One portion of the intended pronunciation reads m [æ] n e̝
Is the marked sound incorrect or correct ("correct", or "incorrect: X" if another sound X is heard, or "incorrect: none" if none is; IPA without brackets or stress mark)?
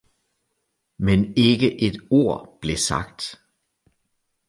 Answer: incorrect: e